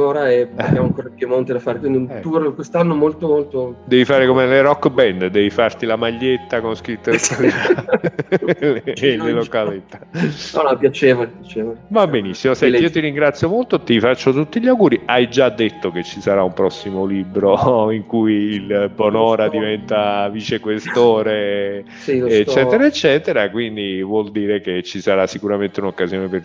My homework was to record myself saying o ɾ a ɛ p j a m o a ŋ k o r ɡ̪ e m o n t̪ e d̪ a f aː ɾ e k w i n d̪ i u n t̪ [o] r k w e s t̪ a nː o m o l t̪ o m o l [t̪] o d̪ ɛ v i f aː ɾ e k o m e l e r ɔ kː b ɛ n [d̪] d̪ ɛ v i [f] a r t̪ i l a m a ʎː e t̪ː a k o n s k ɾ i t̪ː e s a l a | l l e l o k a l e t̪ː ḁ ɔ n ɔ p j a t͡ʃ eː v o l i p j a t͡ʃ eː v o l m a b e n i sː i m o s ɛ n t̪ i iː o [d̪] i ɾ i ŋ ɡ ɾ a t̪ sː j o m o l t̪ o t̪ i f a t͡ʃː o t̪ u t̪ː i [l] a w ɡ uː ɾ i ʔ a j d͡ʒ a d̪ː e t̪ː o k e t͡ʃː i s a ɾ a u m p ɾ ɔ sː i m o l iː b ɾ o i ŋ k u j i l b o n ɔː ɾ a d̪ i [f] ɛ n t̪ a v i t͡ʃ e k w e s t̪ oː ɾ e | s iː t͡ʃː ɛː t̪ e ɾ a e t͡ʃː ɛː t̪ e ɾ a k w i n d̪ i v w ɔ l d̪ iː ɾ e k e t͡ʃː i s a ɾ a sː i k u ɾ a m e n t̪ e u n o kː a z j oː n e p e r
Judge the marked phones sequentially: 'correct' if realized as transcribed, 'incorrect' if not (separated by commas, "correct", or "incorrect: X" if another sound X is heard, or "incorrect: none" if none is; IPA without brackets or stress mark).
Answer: incorrect: u, correct, correct, correct, incorrect: t̪, incorrect: ʎ, incorrect: v